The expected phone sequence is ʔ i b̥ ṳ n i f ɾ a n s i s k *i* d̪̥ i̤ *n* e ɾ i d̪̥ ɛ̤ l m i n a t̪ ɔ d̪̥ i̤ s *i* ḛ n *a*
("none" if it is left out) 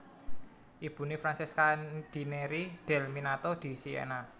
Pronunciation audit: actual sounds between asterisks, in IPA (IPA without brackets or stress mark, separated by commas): a, n, i, a